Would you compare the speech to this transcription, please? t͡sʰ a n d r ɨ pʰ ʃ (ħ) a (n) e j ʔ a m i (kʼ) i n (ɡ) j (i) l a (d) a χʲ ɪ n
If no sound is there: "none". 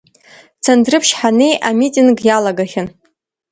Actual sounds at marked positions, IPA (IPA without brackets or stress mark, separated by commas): ħ, n, tʼ, ɡ, a, ɡ